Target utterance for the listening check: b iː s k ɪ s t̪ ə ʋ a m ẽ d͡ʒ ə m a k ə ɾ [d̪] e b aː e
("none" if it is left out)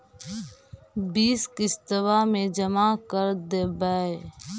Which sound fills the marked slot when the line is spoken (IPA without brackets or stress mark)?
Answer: d̪